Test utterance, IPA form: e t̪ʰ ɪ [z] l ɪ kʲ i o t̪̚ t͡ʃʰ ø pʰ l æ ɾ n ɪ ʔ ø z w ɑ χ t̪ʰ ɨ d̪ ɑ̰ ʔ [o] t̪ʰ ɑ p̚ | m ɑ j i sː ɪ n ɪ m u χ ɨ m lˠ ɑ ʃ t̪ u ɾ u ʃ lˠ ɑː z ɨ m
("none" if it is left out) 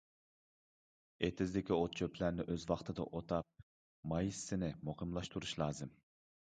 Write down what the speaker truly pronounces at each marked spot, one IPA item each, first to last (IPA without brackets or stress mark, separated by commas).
z, o